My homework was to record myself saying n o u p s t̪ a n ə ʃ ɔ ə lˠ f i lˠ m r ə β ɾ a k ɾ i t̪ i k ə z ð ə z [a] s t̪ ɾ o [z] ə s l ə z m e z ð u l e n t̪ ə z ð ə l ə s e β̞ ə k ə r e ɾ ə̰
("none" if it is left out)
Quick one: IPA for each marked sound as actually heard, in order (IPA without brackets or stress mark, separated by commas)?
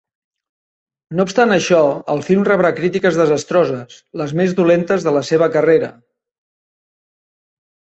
ə, z